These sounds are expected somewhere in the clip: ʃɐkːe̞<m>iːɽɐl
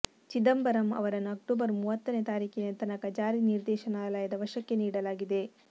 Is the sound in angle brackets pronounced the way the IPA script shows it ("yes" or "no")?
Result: no